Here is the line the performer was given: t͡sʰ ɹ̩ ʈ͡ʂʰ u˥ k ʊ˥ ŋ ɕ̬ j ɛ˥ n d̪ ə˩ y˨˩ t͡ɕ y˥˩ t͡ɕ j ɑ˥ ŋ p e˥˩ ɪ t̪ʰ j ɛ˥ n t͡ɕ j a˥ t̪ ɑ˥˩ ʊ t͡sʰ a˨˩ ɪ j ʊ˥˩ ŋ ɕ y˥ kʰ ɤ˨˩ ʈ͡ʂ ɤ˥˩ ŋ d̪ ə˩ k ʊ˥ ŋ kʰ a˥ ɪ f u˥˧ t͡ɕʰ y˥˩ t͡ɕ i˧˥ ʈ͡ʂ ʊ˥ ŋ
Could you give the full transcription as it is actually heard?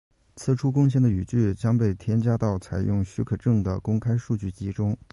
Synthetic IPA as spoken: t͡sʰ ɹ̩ ʈ͡ʂʰ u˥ k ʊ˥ ŋ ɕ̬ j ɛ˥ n d̪ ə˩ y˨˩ t͡ɕ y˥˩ t͡ɕ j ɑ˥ ŋ p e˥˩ ɪ t̪ʰ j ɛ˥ n t͡ɕ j a˥ t̪ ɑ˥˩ ʊ t͡sʰ a˨˩ ɪ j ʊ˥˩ ŋ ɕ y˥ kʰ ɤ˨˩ ʈ͡ʂ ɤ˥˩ ŋ d̪ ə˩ k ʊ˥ ŋ kʰ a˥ ɪ ʂ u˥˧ t͡ɕ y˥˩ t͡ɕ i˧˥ ʈ͡ʂ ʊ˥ ŋ

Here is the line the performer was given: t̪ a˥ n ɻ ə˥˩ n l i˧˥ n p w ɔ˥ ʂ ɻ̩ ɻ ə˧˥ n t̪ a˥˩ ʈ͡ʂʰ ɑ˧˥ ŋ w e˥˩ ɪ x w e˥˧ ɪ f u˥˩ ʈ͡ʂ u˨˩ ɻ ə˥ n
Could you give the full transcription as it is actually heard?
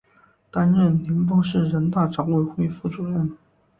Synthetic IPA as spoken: t̪ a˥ n ɻ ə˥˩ n l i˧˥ n p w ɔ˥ ʂ ɻ̩ ɻ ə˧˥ n t̪ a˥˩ ʈ͡ʂ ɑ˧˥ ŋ w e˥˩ ɪ x w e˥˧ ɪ f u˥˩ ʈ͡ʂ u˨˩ ɻ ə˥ n

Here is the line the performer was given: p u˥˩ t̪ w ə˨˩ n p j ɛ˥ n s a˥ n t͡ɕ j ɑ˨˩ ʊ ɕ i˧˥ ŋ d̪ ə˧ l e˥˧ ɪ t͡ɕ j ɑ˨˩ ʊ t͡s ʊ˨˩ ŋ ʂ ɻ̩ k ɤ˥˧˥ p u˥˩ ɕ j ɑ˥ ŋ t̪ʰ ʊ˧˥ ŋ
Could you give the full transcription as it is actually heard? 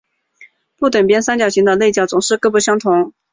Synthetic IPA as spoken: p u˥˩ t̪ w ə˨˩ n p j ɛ˥ n s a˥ n t͡ɕ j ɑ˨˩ ʊ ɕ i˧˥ ŋ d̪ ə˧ l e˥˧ ɪ t͡ɕ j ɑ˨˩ ʊ t͡s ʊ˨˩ ŋ ʂ ɻ̩ k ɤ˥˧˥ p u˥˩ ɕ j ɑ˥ ŋ t̪ʰ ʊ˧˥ ŋ

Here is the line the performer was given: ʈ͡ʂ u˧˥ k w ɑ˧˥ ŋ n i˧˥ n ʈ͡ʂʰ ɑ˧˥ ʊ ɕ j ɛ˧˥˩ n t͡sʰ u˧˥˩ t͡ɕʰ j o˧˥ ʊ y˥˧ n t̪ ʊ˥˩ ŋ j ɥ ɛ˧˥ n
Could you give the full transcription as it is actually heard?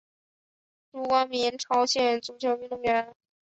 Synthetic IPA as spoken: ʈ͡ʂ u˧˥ k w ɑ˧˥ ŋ m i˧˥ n ʈ͡ʂʰ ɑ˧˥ ʊ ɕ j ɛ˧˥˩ n t͡s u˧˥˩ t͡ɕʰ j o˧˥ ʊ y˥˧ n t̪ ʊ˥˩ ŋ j ɥ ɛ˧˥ n

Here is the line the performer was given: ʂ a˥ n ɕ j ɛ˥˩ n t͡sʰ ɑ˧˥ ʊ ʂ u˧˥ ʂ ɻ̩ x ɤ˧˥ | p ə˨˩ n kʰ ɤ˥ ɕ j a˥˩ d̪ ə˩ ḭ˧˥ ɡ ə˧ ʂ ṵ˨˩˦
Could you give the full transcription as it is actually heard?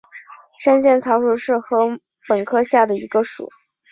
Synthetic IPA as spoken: ʂ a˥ n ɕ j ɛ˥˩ n t͡sʰ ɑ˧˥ ʊ ʂ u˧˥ ʂ ɻ̩ x ɤ˧˥ | p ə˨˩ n kʰ ɤ˥ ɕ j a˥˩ d̪ ə˩ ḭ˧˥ ɡ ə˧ ʂ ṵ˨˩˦

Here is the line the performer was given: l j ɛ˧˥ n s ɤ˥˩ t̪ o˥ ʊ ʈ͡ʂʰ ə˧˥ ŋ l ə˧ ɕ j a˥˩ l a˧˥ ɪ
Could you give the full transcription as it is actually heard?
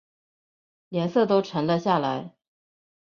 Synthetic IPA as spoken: l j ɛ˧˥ n s ɤ˥˩ t̪ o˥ ʊ ʈ͡ʂʰ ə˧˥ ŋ l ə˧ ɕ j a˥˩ l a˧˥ ɪ

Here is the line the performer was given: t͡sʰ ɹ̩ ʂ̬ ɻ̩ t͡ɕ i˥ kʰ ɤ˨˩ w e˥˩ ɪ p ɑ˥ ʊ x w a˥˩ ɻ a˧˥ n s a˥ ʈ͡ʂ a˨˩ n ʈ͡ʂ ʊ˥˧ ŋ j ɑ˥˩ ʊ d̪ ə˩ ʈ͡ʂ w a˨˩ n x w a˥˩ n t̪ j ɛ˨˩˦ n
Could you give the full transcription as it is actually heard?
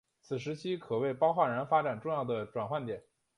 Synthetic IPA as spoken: t͡sʰ ɹ̩ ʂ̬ ɻ̩ t͡ɕʰ i˥ kʰ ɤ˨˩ w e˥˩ ɪ p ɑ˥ ʊ x w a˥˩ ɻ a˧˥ n f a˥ ʈ͡ʂ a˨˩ n ʈ͡ʂ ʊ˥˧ ŋ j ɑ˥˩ ʊ d̪ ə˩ ʈ͡ʂ w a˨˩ n x w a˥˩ n t̪ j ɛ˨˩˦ n

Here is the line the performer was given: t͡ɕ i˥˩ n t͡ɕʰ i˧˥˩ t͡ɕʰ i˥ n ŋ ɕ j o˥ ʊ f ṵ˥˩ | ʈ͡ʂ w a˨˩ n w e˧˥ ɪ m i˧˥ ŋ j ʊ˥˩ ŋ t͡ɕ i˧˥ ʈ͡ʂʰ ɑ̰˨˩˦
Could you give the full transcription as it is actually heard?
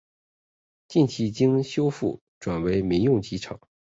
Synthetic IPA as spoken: t͡ɕ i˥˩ n t͡ɕʰ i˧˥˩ t͡ɕ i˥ ŋ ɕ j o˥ ʊ f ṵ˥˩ | ʈ͡ʂ w a˨˩ n w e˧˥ ɪ m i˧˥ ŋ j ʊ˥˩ ŋ t͡ɕ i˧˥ ʈ͡ʂʰ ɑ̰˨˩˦

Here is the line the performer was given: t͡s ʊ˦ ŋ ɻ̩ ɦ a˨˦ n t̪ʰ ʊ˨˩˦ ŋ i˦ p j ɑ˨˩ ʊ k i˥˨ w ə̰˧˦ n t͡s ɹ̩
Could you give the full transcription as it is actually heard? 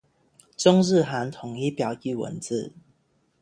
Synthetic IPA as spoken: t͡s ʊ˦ ŋ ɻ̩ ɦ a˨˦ n t̪ʰ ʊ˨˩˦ ŋ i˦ p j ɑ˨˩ ʊ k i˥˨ w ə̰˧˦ n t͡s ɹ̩

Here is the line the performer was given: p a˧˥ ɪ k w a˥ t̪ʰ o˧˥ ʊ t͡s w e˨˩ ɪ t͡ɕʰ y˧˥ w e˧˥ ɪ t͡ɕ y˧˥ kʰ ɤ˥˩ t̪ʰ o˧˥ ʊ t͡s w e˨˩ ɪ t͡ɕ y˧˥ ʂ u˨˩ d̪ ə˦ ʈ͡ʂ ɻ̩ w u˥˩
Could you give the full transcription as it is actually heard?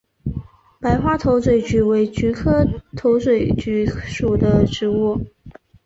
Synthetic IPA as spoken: p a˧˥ ɪ x w a˥ t̪ʰ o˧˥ ʊ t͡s w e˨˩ ɪ t͡ɕ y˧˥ w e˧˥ ɪ t͡ɕ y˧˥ kʰ ɤ˥ t̪ʰ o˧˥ ʊ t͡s w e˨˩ ɪ t͡ɕ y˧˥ ʂ u˨˩ d̪ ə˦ ʈ͡ʂ ɻ̩ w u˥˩

